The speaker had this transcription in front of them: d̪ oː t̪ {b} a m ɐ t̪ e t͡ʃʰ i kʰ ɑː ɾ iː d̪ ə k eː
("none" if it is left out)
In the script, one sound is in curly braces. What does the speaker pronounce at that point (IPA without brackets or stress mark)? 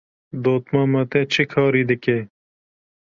m